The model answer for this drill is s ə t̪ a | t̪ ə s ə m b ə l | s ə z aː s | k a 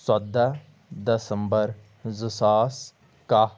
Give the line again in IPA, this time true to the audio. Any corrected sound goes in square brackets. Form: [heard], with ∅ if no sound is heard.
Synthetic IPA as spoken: s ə [d̪] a | [d̪] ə s ə m b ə [ɾ] | [z] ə [s] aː s | k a